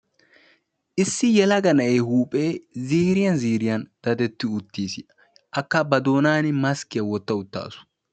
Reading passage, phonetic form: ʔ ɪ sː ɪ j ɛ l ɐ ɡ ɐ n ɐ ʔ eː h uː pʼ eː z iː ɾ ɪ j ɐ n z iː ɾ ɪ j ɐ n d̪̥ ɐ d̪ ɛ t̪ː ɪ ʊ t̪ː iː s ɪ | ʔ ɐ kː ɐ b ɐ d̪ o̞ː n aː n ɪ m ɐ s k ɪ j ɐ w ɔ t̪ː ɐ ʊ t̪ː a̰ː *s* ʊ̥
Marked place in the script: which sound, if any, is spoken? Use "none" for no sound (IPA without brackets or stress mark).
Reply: s